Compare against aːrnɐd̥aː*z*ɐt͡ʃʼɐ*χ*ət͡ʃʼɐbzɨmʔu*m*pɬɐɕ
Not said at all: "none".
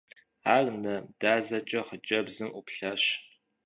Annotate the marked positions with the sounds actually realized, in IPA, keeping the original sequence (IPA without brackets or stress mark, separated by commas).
z, χ, none